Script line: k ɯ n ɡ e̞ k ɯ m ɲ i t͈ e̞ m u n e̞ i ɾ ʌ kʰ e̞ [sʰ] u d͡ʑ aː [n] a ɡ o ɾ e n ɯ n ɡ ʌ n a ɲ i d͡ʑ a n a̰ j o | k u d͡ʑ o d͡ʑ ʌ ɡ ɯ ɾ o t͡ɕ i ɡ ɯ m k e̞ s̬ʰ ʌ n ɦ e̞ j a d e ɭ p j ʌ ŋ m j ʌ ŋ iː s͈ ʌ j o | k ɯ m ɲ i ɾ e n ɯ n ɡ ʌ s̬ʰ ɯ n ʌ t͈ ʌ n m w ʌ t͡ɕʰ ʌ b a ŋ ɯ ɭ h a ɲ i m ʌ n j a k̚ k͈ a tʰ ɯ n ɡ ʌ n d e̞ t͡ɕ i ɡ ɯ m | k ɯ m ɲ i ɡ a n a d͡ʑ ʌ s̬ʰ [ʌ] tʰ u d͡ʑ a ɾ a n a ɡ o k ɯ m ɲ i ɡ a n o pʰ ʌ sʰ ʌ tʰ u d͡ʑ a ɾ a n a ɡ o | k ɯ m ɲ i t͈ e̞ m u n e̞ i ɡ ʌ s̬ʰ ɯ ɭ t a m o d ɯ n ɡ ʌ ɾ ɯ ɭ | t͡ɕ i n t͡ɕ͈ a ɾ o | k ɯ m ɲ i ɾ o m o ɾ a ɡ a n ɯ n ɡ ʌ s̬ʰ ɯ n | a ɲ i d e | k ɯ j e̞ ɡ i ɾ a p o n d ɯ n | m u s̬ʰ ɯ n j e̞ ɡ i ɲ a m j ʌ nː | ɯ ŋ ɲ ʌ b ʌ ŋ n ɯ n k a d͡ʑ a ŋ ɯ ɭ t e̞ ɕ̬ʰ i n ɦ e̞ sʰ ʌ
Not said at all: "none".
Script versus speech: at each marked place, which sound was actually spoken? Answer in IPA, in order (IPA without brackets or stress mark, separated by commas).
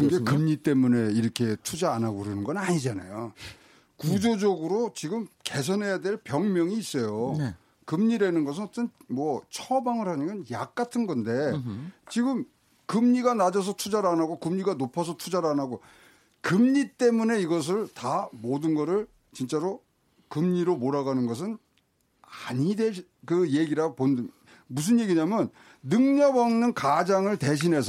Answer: tʰ, n, ʌ